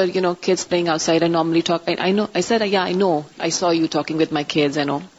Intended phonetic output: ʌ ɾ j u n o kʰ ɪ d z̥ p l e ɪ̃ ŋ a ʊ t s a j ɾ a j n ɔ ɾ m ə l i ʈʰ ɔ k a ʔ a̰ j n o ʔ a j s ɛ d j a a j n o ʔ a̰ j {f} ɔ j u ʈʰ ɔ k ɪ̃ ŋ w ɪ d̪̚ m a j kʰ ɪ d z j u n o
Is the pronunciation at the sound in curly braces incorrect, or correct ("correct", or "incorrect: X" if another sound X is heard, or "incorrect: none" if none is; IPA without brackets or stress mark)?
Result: incorrect: s